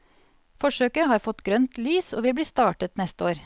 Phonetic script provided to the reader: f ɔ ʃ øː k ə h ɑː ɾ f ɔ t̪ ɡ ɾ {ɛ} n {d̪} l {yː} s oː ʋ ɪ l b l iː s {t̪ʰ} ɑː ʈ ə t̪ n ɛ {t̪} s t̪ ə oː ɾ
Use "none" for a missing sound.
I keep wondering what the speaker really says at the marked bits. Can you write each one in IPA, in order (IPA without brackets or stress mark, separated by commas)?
œ, t̪, yː, t̪, none